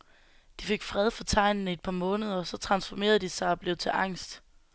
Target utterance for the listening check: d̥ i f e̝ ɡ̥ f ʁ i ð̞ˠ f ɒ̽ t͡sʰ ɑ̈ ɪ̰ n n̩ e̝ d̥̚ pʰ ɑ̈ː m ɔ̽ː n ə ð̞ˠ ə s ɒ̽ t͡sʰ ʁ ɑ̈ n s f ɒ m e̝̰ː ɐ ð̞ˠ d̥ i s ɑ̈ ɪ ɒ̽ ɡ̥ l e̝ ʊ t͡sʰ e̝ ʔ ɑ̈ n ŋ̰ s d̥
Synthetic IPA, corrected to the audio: d̥ i f e̝ ɡ̥ f ʁ ɛ ð̞ˠ f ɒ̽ t͡sʰ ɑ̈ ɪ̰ n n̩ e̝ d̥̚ pʰ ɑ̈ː m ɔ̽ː n ə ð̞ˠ ɐ s ɒ̽ t͡sʰ ʁ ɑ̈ n s f ɒ m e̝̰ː ɐ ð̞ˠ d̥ i s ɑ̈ ɪ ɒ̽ b̥ l e̝ ʊ t͡sʰ e̝ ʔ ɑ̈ ŋ̰ s d̥